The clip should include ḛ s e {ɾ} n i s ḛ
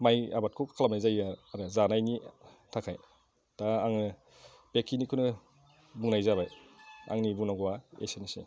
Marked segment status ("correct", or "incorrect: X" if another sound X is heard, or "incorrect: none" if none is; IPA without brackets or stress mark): incorrect: none